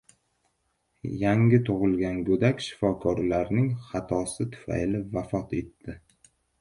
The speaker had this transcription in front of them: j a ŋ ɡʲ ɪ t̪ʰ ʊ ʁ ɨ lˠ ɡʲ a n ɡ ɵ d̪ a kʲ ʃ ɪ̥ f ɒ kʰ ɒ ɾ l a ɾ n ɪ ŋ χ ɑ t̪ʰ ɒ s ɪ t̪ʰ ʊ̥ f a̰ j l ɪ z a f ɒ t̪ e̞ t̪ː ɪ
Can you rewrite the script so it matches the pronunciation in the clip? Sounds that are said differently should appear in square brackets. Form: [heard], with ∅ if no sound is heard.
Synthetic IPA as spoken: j a ŋ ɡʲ ɪ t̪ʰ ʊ ʁ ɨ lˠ ɡʲ a n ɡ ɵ d̪ a kʲ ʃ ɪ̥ f ɒ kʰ ɒ ɾ l a ɾ n ɪ ŋ χ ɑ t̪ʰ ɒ s ɪ t̪ʰ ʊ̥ f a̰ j l ɪ [v] a f ɒ t̪ e̞ t̪ː ɪ